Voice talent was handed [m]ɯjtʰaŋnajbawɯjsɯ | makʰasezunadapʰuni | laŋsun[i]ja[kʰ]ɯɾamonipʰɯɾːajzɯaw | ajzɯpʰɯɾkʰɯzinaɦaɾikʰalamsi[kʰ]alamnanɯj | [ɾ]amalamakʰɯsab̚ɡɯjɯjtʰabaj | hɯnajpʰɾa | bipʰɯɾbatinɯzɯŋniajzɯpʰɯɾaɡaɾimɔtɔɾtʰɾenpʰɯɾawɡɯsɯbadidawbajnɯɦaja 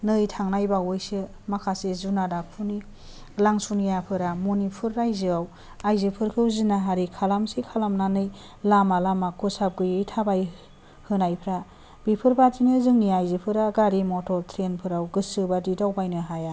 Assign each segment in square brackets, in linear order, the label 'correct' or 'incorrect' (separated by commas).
incorrect, correct, incorrect, correct, incorrect